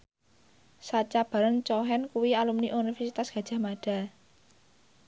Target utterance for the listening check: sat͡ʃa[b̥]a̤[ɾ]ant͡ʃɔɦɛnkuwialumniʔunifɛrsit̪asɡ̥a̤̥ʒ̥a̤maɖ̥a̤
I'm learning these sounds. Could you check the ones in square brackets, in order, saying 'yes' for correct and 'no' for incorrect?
yes, yes

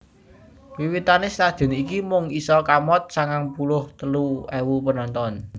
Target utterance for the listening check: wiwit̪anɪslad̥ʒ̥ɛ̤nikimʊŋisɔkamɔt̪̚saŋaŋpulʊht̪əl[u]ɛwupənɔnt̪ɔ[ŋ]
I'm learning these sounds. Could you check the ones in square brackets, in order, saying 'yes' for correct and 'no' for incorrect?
yes, no

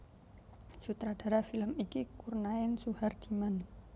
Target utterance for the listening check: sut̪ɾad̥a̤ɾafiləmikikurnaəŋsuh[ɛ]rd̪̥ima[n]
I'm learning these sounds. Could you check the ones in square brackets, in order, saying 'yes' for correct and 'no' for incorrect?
no, yes

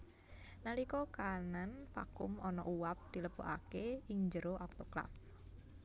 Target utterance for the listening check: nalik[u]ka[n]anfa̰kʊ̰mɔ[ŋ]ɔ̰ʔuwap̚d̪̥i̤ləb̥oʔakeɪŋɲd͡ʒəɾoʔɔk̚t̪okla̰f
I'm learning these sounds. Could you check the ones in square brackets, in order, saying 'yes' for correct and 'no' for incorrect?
no, yes, no

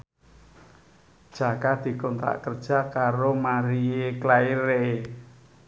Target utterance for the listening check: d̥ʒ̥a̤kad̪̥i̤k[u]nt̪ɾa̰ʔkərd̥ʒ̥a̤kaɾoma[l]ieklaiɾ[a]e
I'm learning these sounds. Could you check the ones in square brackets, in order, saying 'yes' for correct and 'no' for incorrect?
no, no, no

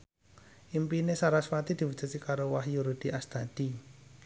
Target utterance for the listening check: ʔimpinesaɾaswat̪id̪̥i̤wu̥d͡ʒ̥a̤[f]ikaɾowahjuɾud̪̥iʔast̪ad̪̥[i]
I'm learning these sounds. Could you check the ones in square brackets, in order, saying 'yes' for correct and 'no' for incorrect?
no, yes

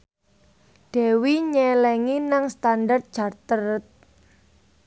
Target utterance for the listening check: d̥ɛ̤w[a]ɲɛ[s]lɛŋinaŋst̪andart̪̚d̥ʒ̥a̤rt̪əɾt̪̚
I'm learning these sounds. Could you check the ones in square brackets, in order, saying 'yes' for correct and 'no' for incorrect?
no, no

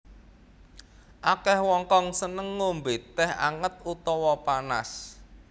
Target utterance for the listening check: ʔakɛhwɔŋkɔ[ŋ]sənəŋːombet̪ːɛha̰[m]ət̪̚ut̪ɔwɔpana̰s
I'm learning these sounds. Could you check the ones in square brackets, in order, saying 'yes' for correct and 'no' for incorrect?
yes, no

